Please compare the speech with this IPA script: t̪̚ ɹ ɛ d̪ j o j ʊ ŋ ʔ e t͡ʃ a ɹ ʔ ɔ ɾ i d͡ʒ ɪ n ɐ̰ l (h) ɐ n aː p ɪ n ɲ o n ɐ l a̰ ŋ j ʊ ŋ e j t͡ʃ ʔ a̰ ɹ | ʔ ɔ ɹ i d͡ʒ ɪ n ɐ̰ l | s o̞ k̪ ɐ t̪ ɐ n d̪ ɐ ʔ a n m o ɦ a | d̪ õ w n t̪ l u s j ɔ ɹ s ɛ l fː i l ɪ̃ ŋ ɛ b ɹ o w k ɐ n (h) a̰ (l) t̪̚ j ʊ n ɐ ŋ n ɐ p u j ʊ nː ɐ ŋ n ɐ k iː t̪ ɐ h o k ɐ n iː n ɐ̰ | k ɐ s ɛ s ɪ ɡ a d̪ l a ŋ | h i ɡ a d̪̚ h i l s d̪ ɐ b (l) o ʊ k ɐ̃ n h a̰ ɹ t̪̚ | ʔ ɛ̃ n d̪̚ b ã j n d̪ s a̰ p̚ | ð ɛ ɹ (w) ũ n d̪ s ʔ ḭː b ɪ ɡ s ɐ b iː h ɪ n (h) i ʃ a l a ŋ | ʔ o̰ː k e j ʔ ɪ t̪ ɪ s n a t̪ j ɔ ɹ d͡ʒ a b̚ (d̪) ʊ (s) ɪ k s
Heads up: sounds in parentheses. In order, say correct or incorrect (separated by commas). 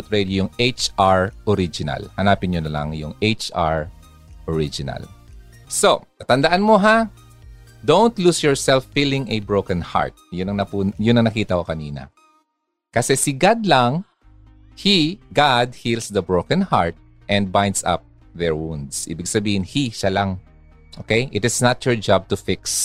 correct, correct, incorrect, incorrect, correct, correct, incorrect, incorrect